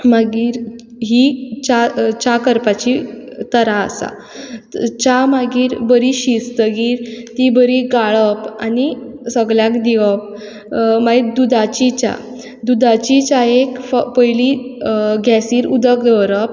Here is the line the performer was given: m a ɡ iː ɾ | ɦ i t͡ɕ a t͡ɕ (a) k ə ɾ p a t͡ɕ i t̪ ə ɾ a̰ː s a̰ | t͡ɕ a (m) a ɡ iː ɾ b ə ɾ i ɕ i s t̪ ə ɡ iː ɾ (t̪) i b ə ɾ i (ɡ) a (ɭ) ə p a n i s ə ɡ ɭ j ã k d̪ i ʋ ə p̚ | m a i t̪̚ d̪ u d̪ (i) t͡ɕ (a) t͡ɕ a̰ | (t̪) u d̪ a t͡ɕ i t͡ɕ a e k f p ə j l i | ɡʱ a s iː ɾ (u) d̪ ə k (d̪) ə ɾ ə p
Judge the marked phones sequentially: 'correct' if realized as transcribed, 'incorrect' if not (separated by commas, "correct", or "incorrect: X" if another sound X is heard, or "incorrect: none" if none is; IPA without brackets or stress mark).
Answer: correct, correct, correct, correct, correct, incorrect: a, incorrect: i, incorrect: d̪, correct, correct